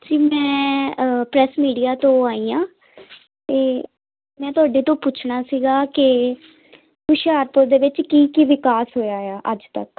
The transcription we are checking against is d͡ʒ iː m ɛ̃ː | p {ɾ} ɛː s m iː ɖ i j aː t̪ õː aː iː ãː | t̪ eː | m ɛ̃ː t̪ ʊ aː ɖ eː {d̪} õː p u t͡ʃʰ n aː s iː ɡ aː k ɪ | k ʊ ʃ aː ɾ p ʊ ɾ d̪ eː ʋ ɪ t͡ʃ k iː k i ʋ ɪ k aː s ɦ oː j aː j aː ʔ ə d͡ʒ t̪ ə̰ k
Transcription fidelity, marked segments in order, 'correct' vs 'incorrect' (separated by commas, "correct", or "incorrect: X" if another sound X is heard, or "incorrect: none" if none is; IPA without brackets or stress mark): correct, incorrect: t̪